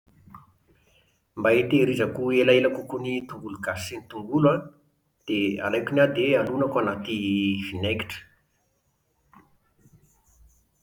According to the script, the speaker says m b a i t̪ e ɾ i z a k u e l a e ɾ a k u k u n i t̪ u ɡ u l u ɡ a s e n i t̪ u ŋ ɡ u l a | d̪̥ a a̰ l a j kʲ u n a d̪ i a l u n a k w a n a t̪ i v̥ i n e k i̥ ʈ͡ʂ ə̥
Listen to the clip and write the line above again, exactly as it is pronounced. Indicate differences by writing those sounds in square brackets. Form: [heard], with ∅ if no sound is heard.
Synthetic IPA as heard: m b a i t̪ e ɾ i z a k u e l a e [l] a k u k u n i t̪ u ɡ u l u ɡ a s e n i t̪ u ŋ ɡ u l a | d̪̥ [e] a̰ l a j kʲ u n a d̪ [e] a l u n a k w a n a t̪ i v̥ i n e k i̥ ʈ͡ʂ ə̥